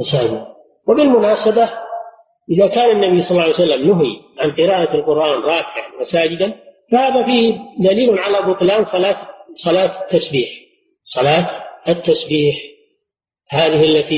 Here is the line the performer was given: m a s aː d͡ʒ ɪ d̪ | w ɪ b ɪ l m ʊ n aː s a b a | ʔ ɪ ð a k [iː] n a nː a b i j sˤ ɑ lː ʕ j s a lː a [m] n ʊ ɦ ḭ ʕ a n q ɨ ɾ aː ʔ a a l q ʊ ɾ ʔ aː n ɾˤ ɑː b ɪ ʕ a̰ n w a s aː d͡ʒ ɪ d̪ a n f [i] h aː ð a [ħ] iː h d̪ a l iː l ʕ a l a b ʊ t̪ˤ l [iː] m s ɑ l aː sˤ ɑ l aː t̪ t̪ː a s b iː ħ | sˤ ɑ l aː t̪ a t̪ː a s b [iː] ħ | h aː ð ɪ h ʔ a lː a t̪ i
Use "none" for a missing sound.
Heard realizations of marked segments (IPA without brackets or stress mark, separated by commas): aː, m, a, f, aː, iː